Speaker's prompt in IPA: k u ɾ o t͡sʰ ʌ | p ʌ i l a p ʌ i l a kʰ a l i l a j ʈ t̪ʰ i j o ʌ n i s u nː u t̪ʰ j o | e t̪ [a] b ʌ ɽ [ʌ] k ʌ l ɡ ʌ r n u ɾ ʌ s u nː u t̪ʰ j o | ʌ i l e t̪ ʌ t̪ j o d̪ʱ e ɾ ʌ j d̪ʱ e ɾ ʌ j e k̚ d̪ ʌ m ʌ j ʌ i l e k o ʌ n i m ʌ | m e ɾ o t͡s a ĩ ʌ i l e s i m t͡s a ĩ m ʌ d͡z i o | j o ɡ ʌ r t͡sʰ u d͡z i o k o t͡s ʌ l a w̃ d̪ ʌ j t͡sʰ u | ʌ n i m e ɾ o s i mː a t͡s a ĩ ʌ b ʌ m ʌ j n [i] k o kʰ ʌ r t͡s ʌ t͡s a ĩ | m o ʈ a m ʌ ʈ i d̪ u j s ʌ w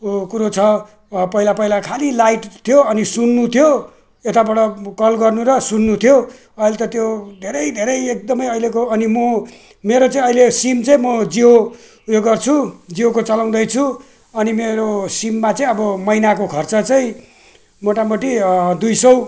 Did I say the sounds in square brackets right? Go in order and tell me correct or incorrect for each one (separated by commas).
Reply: correct, correct, incorrect